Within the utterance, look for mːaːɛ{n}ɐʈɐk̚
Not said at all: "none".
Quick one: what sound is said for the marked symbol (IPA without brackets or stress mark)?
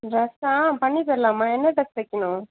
nː